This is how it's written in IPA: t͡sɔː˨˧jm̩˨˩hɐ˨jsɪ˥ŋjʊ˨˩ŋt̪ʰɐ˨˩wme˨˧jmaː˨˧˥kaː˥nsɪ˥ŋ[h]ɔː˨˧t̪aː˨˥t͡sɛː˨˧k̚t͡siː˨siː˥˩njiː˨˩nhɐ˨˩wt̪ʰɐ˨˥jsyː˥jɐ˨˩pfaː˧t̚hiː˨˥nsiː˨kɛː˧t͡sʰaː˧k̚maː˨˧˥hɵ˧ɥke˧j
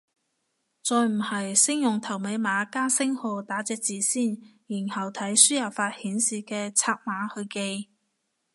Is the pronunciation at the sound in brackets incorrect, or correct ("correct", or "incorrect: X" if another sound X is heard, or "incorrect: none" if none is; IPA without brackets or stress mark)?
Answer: correct